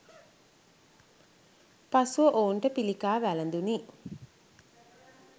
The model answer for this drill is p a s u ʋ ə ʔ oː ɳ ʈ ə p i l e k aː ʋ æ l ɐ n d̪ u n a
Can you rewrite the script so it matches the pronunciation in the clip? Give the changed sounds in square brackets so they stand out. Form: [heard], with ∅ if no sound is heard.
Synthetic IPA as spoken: p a s u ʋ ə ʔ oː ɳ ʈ ə p i l [i] k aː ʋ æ l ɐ n d̪ u n [i]